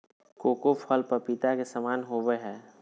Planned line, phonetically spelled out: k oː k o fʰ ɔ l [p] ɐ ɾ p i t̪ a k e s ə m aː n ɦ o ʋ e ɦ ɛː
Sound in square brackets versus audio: correct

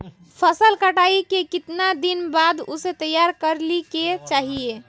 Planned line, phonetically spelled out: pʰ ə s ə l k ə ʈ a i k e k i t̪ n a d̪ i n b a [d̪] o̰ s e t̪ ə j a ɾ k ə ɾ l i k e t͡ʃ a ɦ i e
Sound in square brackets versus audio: correct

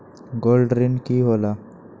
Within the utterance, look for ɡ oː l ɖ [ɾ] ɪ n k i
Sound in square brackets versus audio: correct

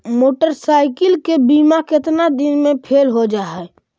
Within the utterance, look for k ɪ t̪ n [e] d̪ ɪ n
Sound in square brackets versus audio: incorrect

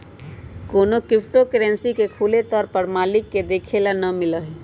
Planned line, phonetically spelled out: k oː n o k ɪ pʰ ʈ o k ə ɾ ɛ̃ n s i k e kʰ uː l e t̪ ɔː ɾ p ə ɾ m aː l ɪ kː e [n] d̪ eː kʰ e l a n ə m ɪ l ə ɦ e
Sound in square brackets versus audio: incorrect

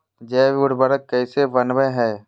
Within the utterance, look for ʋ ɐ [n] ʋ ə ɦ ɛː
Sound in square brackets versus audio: correct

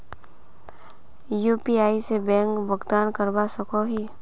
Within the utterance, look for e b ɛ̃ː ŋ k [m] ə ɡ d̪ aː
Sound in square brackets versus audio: incorrect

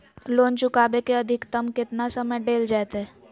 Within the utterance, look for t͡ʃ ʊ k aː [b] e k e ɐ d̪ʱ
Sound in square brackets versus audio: correct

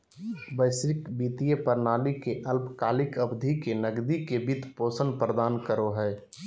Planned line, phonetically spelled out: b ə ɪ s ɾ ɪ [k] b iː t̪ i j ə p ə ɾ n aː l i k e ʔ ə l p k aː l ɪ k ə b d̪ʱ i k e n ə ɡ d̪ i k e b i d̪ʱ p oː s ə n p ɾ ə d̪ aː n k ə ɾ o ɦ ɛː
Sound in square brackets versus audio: correct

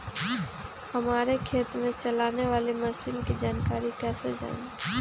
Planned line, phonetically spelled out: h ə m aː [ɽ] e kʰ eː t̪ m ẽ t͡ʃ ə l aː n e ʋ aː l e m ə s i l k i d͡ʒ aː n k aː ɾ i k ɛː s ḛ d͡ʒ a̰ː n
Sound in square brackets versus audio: incorrect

